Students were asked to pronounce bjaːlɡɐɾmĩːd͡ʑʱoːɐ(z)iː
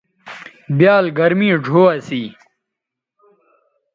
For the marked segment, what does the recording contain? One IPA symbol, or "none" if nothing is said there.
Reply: s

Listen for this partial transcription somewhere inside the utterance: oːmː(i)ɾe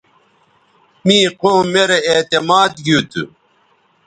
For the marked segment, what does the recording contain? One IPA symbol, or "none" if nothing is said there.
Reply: e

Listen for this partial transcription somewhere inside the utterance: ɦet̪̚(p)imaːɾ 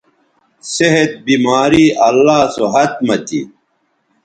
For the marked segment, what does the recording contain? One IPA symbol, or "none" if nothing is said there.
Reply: b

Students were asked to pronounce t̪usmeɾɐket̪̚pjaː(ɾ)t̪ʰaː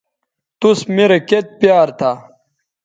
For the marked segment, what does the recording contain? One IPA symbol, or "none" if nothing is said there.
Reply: ɾ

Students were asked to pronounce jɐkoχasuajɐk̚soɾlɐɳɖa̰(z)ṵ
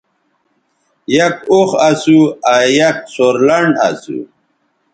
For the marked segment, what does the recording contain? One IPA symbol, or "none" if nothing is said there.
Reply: s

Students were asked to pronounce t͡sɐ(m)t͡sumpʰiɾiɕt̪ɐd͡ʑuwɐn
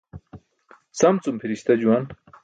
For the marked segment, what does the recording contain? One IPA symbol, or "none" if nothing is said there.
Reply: m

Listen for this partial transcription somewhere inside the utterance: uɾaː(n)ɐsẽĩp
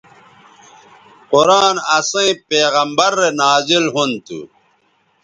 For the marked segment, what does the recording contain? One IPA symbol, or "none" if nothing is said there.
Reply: n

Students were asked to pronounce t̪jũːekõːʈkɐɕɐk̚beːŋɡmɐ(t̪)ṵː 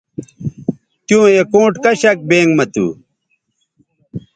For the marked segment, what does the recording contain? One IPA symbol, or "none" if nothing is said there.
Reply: t̪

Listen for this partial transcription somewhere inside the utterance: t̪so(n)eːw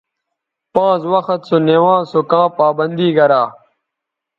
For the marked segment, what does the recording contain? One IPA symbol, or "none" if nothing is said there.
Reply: n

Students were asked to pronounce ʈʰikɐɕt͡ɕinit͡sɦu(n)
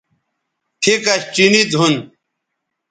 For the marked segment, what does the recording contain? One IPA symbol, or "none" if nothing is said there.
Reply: n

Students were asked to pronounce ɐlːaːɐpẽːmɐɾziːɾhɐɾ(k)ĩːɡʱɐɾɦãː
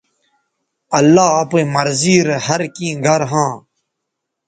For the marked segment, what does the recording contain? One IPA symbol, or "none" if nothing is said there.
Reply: k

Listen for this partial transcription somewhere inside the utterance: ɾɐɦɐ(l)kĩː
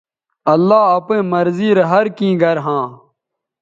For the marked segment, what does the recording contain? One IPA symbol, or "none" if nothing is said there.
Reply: ɾ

